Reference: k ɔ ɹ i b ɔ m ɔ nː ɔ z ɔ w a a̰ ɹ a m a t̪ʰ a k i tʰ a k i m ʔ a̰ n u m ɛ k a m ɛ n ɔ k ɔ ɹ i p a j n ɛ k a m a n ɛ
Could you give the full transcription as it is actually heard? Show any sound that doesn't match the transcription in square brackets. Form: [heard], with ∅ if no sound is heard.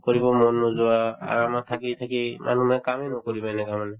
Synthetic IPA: k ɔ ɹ i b ɔ m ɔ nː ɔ z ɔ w a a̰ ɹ a m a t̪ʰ a k i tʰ a k i m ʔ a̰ n u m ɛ k a m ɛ n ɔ k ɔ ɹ i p a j n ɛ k a m a n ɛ